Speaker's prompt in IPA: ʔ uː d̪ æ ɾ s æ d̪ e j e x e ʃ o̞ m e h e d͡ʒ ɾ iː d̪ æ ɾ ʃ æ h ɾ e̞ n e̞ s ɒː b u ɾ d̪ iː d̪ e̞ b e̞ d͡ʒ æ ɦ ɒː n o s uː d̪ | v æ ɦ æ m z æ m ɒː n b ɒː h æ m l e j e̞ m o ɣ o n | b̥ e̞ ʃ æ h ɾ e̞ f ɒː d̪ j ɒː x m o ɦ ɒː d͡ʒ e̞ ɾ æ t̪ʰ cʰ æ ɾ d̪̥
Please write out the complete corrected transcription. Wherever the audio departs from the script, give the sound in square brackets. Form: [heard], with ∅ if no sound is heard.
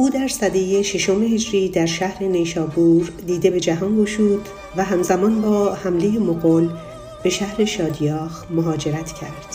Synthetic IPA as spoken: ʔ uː d̪ æ ɾ s æ d̪ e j e [ʃ] e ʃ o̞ m e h e d͡ʒ ɾ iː d̪ æ ɾ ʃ æ h ɾ e̞ n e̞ [ʃ] ɒː b u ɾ d̪ iː d̪ e̞ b e̞ d͡ʒ æ ɦ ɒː n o [ʃ] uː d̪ | v æ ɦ æ m z æ m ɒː n b ɒː h æ m l e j e̞ m o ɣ o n | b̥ e̞ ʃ æ h ɾ e̞ [ʃ] ɒː d̪ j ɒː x m o ɦ ɒː d͡ʒ e̞ ɾ æ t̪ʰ cʰ æ ɾ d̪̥